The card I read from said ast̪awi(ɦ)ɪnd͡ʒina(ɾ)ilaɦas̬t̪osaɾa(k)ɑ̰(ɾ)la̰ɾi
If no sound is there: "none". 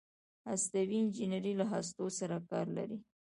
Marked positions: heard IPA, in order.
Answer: none, ɾ, k, ɾ

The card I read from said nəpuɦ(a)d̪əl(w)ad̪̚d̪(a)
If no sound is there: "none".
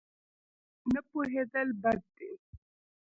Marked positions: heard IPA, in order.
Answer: e, b, e

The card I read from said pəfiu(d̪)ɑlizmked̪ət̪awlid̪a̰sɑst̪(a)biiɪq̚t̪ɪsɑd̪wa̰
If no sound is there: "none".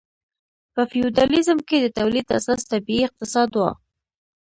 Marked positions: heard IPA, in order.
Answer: d̪, a

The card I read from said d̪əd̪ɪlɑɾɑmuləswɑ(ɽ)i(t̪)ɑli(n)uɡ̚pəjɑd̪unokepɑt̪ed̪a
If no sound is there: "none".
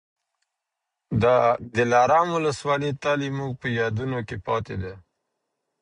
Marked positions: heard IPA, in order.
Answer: l, t̪, m

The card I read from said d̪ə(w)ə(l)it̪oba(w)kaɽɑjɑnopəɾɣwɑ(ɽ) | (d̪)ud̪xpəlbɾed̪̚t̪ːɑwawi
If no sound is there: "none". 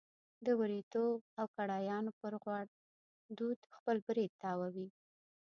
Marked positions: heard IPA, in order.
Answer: w, ɾ, w, ɽ, d̪

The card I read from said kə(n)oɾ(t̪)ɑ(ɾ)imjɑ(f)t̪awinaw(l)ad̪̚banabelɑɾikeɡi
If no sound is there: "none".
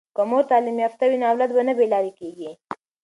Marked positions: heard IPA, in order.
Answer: m, t̪, l, f, l

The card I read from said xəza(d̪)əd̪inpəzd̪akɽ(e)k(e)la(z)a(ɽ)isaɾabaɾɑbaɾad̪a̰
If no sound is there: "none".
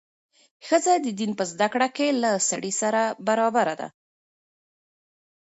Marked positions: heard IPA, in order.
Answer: d̪, a, e, s, ɽ

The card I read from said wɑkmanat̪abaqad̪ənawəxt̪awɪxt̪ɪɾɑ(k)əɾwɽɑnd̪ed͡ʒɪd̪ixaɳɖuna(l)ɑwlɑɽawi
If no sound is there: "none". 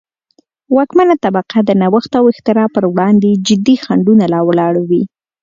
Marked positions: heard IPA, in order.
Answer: p, l

